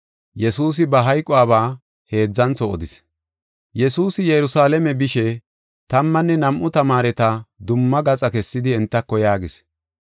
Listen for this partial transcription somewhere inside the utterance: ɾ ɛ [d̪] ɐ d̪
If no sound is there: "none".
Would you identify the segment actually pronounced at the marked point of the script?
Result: t̪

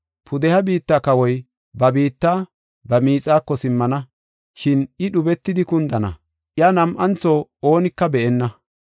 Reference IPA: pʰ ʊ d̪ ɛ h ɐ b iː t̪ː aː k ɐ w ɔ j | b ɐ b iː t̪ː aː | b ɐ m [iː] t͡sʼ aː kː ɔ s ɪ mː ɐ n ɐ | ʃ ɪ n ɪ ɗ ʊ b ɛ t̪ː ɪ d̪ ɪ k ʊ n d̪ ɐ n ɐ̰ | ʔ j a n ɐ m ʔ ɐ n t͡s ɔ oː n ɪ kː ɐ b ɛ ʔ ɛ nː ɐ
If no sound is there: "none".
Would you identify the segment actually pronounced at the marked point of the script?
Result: iː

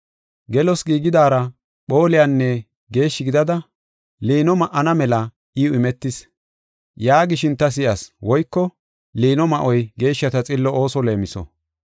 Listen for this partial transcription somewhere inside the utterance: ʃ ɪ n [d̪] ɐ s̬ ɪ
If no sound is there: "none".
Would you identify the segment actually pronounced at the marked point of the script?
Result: t̪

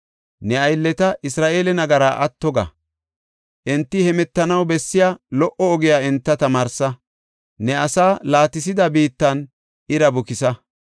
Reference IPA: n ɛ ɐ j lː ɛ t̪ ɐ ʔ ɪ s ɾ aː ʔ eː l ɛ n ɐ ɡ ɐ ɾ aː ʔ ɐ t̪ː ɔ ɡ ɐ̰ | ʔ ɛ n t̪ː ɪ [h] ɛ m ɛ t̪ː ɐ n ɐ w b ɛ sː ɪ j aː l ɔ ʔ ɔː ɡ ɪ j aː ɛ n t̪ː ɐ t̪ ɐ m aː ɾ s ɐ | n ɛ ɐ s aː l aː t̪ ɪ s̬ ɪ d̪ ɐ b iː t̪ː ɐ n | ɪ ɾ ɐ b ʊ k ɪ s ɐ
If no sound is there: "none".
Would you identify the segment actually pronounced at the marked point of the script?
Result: h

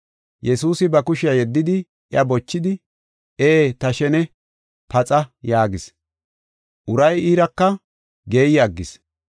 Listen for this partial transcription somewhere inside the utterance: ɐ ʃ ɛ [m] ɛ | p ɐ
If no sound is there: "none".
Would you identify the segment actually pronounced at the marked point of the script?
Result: n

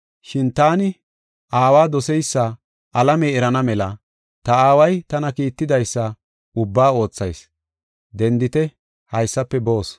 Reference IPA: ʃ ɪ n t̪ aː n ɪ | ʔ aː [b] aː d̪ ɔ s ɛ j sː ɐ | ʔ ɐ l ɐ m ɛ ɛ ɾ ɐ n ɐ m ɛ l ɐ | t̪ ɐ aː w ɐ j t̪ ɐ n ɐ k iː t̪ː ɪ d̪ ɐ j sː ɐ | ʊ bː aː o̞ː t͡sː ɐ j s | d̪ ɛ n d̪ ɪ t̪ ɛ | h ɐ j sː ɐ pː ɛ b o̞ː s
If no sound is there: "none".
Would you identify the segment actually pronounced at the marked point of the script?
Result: w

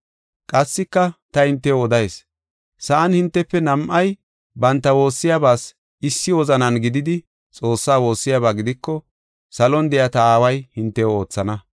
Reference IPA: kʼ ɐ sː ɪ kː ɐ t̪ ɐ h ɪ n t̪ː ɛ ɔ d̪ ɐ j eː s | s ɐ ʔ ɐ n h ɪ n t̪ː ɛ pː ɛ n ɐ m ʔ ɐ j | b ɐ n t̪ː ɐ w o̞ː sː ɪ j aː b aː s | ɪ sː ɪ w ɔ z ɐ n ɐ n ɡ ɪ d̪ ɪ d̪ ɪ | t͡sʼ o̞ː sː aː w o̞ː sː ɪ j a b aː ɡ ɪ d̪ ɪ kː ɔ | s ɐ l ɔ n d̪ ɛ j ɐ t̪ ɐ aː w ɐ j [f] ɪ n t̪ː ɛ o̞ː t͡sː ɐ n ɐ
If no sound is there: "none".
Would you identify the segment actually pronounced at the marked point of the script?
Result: h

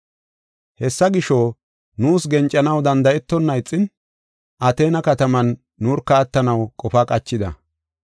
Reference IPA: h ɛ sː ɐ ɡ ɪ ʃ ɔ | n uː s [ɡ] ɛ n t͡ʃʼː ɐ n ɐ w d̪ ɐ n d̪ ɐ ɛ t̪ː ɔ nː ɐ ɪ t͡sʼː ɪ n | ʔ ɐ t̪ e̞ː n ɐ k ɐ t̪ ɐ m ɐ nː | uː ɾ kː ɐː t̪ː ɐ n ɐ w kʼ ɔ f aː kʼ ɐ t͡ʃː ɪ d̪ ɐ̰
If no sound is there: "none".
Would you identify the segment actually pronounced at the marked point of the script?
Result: ɡ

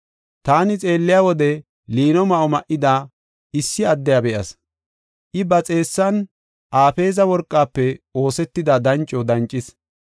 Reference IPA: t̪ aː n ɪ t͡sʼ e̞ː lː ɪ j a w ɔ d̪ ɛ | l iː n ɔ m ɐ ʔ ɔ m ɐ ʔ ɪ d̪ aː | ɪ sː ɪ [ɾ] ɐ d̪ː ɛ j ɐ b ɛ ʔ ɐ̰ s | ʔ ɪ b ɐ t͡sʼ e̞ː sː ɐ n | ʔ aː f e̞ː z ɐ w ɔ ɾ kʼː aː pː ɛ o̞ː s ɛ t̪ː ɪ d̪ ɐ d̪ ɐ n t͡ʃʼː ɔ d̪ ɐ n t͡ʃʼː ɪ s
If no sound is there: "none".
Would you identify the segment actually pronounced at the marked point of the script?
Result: none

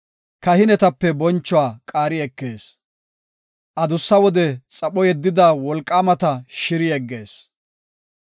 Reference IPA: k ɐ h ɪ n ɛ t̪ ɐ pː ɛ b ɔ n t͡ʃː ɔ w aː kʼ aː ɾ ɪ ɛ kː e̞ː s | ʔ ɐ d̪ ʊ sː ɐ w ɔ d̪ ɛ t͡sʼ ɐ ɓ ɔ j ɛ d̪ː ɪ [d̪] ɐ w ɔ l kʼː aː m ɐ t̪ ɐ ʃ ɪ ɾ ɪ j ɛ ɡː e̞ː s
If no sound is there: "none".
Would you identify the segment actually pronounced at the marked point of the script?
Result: d̪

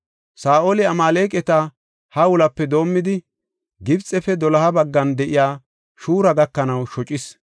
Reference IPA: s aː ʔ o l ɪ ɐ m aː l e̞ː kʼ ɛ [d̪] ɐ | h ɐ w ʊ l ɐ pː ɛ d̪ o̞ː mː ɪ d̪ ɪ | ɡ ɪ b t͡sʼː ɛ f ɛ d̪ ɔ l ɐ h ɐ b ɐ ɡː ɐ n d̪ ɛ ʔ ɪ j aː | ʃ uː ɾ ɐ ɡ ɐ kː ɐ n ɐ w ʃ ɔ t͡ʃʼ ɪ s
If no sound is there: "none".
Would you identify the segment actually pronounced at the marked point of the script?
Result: t̪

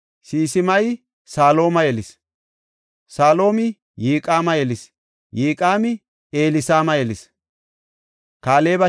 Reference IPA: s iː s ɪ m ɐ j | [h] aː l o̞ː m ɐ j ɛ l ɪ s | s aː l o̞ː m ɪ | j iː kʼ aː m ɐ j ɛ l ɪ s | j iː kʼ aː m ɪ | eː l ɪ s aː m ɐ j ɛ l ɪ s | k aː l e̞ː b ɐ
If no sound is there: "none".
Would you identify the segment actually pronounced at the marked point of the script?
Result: s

